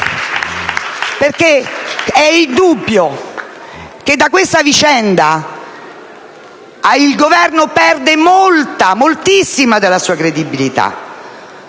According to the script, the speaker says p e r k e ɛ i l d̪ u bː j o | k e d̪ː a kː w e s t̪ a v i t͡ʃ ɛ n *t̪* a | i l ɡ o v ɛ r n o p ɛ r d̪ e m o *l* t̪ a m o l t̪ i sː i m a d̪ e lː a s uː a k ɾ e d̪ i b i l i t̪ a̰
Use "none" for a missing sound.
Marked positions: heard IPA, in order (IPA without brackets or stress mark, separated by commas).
d̪, l